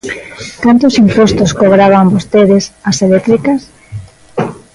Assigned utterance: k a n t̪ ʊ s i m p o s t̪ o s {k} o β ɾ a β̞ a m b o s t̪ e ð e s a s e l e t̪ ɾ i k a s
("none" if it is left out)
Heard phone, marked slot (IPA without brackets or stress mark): k